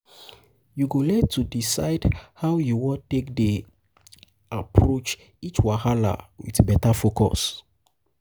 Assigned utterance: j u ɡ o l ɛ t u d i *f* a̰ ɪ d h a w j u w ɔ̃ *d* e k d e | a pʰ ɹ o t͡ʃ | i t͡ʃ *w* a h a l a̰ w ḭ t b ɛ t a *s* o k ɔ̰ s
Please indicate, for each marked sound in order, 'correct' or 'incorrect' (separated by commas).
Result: incorrect, incorrect, correct, incorrect